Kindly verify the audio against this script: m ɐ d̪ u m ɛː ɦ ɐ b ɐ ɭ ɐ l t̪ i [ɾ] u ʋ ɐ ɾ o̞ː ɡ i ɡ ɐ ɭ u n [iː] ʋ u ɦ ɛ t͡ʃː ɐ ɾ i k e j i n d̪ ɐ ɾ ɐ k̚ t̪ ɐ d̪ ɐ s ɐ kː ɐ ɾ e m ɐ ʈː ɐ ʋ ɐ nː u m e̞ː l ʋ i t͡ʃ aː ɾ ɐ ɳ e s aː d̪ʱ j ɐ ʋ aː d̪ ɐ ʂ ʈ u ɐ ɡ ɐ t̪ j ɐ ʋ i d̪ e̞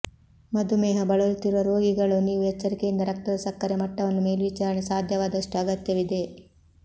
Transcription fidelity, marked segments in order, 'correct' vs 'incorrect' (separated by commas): correct, correct